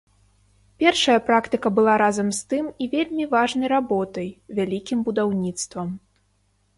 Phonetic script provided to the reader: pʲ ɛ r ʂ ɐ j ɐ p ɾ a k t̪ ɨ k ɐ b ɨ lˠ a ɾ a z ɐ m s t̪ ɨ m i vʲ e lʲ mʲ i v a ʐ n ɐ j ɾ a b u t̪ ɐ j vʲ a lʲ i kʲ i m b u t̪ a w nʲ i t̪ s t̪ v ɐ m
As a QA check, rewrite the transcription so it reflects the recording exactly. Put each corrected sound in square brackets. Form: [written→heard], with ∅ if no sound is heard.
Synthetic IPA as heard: pʲ ɛ r ʂ ɐ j ɐ p ɾ a k t̪ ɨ k ɐ b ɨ lˠ a ɾ a z ɐ m s t̪ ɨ m i vʲ e lʲ mʲ i v a ʐ n ɐ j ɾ a b [u→ɔ] t̪ ɐ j vʲ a lʲ i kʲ i m b u [t̪→d̪] a w nʲ i t̪ s t̪ v ɐ m